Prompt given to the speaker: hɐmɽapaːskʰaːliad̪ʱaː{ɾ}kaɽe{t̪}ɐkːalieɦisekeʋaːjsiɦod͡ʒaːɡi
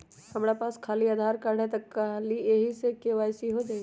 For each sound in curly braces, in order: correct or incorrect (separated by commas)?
correct, correct